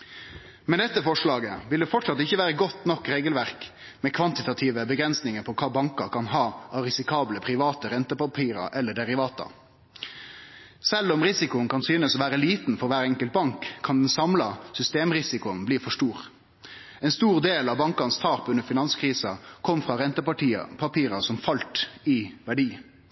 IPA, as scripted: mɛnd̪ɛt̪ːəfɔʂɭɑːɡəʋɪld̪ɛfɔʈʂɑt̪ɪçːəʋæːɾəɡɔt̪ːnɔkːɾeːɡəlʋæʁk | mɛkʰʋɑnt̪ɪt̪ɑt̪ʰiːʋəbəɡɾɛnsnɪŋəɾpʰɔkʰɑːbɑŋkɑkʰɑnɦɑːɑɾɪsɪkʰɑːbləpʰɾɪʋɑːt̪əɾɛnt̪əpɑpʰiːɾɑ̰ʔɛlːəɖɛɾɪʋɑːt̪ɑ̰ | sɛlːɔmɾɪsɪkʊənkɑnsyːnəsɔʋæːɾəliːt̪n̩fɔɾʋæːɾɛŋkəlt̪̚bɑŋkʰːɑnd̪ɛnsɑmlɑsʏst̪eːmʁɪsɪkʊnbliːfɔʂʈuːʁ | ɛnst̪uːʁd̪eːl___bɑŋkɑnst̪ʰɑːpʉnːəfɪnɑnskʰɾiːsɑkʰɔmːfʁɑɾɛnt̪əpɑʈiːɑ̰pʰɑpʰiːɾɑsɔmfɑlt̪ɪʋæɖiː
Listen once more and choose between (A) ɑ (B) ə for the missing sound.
A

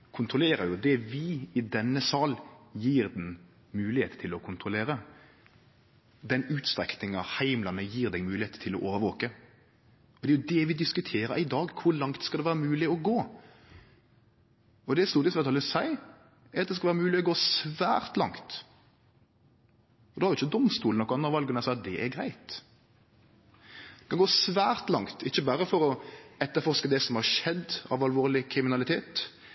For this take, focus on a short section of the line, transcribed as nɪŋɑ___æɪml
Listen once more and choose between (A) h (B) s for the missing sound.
A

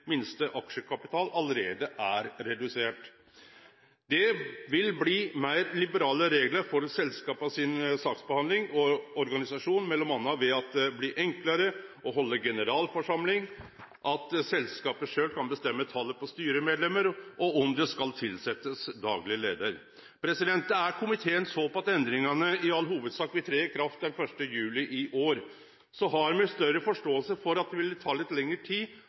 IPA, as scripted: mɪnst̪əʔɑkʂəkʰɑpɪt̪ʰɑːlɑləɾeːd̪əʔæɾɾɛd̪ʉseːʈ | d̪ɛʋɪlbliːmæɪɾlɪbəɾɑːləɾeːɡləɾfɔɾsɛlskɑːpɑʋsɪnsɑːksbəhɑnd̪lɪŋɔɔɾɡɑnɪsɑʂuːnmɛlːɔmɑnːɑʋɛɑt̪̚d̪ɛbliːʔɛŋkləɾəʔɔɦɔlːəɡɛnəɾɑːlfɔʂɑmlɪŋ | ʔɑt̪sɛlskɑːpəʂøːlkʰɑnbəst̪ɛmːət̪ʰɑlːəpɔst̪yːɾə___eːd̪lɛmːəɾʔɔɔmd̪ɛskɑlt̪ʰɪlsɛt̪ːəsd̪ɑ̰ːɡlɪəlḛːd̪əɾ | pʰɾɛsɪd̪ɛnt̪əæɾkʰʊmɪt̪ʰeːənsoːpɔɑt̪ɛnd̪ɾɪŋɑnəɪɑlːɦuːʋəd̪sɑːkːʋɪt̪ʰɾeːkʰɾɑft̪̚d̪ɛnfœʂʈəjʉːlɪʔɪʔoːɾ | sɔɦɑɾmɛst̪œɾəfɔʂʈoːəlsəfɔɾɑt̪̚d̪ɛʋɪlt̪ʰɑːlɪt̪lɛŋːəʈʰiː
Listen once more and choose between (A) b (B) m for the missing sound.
B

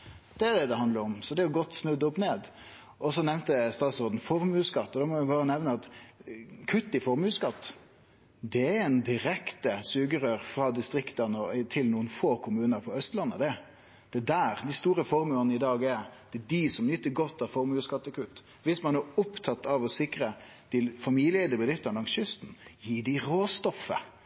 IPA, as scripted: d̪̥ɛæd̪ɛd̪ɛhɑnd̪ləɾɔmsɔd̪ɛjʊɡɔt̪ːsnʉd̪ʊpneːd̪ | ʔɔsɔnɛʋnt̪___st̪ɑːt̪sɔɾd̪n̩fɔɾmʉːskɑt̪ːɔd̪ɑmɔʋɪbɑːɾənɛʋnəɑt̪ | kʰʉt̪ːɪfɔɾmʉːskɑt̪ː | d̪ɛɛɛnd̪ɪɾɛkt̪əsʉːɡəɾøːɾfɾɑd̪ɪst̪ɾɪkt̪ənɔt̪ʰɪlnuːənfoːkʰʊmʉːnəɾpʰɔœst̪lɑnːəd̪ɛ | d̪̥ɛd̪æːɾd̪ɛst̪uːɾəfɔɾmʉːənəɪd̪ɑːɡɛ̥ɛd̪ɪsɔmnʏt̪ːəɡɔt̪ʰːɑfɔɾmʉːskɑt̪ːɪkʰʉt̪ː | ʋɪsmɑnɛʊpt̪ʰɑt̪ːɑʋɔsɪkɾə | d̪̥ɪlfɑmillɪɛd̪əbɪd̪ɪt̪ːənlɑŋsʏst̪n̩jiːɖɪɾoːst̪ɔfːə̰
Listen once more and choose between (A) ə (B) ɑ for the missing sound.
A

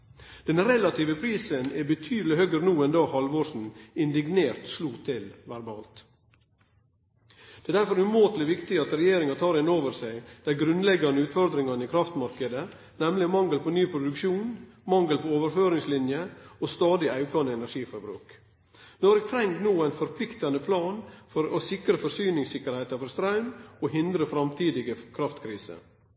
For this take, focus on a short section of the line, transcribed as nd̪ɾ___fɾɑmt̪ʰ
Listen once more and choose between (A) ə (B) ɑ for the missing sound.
A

